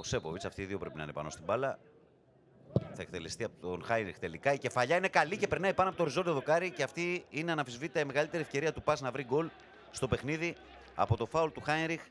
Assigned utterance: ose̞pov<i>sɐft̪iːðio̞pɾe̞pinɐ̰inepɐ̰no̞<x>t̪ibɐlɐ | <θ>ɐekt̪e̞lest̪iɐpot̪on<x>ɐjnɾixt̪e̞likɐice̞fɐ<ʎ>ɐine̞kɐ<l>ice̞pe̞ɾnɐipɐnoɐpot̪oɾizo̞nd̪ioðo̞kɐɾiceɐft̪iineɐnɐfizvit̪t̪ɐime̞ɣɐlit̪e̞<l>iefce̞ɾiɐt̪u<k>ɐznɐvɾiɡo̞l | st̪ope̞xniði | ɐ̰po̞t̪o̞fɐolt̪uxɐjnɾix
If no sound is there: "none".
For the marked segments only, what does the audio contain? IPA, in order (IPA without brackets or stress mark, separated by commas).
i, s, θ, x, ʎ, l, ɾ, p